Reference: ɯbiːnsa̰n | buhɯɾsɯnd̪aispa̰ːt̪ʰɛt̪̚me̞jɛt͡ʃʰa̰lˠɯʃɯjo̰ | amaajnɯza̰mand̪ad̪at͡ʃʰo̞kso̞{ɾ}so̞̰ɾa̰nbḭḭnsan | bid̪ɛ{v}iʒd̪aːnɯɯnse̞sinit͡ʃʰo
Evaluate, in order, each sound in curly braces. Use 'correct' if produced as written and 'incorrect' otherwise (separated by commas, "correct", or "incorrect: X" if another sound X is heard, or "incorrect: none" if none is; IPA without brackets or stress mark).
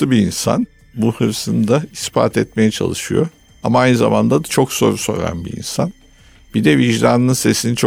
correct, correct